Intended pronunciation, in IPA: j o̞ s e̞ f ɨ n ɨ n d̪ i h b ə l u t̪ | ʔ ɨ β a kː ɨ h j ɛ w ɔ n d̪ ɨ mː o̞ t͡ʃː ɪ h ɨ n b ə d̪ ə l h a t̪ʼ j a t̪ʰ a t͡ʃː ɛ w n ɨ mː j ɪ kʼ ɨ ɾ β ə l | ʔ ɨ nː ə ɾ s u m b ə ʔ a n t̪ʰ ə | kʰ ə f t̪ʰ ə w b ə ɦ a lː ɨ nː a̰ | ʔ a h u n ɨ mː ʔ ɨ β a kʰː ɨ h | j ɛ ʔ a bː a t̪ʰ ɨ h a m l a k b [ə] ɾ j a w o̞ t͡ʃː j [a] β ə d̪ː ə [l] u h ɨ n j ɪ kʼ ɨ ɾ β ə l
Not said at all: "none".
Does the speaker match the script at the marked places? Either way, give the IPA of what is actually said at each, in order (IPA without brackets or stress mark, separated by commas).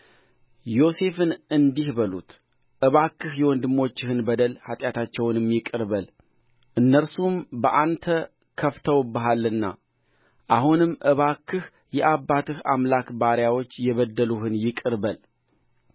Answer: a, ɛ, l